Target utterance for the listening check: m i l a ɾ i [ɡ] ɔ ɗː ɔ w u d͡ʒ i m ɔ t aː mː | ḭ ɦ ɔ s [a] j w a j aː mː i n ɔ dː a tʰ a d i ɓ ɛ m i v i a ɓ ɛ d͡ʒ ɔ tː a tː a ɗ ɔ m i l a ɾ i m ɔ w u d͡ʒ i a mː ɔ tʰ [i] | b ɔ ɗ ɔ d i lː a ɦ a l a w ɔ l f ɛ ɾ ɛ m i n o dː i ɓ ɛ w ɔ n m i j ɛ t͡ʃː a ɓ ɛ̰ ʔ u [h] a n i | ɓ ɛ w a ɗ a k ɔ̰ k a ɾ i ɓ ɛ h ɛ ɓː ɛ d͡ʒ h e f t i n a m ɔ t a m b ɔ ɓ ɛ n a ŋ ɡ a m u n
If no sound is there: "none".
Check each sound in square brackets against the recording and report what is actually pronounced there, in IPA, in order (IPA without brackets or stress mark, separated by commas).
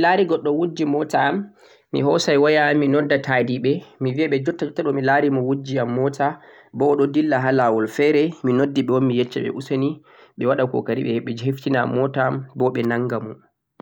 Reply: ɡ, a, a, s